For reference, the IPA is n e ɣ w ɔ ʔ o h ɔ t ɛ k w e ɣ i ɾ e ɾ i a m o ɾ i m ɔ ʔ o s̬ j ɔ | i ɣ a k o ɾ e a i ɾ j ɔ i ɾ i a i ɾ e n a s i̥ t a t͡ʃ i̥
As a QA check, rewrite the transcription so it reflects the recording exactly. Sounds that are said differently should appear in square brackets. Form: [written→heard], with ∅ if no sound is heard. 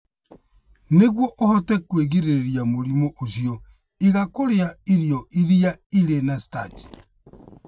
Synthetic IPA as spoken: n e ɣ w ɔ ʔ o h ɔ t ɛ k w e ɣ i ɾ e ɾ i a m o ɾ i m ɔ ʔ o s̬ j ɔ | i ɣ a k o ɾ e a i ɾ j ɔ i ɾ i a i ɾ e n a s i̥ t a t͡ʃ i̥